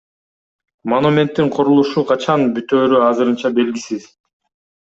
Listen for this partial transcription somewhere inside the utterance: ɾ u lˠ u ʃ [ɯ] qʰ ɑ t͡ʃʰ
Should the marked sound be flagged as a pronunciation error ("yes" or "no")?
yes